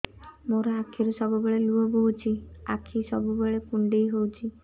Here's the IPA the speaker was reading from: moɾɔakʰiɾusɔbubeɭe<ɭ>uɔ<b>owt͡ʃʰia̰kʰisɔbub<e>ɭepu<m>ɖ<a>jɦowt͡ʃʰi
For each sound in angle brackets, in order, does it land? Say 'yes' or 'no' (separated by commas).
no, yes, yes, no, no